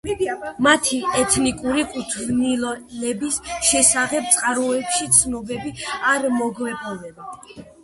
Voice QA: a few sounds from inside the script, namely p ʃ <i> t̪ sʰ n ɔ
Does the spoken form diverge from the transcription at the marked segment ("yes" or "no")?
no